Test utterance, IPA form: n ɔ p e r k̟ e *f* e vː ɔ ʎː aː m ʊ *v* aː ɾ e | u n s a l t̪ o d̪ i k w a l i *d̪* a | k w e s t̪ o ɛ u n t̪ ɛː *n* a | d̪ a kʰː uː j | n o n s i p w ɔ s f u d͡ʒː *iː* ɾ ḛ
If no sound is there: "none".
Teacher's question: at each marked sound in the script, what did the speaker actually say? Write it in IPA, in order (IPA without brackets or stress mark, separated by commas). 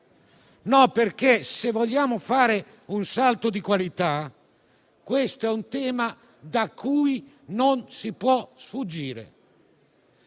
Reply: s, f, t̪, m, iː